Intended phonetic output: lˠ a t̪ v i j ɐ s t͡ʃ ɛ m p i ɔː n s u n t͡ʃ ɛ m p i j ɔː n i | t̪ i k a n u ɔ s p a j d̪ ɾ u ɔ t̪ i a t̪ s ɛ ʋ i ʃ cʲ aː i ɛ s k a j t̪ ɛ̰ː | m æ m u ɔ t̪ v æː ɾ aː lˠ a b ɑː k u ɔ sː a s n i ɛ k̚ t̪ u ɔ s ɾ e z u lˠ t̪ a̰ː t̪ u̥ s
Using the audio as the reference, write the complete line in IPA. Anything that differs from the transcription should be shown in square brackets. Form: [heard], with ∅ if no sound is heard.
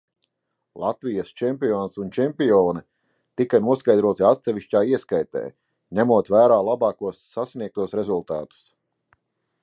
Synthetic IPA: lˠ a t̪ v i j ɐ s t͡ʃ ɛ m p i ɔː n s u n t͡ʃ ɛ m p i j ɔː n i | t̪ i k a n u ɔ s [k] a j d̪ ɾ u ɔ t̪ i a t̪ s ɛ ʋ i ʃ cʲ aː i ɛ s k a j t̪ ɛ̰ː | [ɲ] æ m u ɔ t̪ v æː ɾ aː lˠ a b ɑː k u ɔ sː a s n i ɛ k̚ t̪ u ɔ s ɾ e z u lˠ t̪ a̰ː t̪ u̥ s